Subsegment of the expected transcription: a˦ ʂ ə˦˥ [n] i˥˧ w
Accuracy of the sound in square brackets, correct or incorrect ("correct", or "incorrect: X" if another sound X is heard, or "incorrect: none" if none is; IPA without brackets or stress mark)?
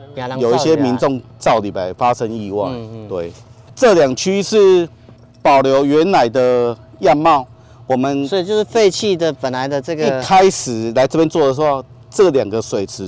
incorrect: ŋ